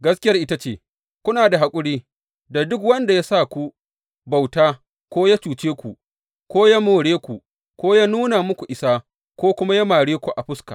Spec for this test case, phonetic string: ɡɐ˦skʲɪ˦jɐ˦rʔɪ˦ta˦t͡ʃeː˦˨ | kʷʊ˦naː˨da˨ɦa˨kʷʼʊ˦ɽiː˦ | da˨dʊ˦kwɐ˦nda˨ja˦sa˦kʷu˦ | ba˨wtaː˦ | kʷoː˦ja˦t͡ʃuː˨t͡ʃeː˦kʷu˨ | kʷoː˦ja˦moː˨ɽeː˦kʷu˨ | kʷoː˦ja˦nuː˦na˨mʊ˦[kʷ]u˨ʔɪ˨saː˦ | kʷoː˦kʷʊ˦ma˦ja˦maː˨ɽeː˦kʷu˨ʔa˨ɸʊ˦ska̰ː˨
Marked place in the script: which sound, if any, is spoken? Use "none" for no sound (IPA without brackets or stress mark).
kʷ